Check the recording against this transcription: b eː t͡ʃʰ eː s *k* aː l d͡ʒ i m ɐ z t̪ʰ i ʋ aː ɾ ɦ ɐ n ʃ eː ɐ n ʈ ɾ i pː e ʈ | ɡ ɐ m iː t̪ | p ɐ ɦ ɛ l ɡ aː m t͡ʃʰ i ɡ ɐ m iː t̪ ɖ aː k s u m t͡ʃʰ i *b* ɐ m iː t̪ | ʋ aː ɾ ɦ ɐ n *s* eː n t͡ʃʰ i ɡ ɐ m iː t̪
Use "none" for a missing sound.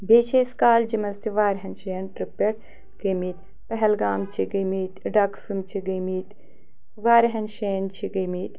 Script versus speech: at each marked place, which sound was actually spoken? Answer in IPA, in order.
k, ɡ, ʃ

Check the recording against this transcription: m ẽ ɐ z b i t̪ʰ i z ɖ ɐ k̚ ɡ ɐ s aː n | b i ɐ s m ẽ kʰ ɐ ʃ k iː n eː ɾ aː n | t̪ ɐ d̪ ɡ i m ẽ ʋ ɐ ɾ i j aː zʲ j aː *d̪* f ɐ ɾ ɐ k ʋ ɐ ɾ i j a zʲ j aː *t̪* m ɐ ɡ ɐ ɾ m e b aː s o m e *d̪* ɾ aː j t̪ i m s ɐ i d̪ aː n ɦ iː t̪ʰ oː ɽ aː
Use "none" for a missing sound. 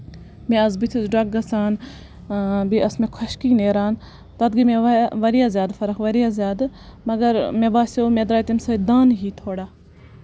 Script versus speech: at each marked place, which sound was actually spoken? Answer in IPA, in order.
d̪, d̪, d̪

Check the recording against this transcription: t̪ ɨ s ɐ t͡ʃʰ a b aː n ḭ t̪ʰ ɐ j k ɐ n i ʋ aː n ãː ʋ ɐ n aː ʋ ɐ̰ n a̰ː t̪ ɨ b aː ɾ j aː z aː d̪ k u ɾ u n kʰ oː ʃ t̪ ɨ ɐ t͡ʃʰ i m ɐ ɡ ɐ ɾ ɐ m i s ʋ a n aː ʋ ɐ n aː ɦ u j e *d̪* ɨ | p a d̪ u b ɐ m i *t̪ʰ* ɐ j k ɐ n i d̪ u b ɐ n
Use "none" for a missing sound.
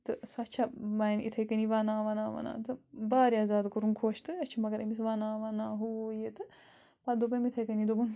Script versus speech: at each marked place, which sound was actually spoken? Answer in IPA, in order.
t̪, t̪ʰ

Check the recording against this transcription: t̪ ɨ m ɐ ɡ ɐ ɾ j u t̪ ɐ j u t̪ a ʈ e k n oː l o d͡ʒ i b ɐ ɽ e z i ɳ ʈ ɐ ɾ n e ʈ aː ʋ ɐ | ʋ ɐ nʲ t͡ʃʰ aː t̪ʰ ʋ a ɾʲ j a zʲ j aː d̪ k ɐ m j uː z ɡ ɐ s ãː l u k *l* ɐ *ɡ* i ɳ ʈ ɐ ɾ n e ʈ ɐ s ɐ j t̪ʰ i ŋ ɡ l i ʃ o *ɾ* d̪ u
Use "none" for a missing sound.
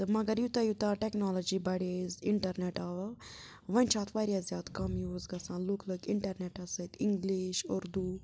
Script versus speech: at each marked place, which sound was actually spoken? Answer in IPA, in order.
l, k, ɾ

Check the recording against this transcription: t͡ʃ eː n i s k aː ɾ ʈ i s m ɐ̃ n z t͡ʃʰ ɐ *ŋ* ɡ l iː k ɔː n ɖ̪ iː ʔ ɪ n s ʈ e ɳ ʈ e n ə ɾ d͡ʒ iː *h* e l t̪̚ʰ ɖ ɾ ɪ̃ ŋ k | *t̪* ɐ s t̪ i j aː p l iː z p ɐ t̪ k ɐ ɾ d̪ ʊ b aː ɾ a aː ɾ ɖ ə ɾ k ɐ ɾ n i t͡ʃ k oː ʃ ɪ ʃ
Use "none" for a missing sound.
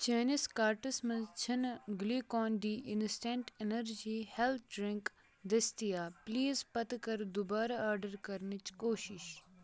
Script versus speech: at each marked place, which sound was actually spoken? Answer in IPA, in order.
n, h, d̪

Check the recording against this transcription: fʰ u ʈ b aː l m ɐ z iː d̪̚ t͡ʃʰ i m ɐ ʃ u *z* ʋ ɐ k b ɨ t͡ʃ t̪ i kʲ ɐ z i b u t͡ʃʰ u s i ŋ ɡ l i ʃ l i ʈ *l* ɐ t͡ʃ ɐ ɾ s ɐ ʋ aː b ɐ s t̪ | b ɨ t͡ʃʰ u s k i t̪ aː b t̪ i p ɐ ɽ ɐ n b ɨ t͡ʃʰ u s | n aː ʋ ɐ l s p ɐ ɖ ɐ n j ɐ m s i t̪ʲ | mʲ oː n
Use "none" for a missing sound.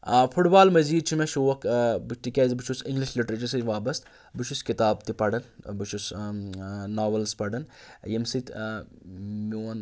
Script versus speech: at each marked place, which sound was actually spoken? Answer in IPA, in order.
none, ɾ

